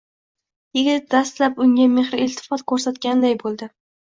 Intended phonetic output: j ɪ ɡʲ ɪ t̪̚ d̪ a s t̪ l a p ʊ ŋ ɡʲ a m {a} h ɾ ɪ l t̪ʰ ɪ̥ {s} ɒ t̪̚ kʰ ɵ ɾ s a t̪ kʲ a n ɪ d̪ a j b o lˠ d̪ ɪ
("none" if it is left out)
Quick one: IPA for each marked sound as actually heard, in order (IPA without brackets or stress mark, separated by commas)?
e, f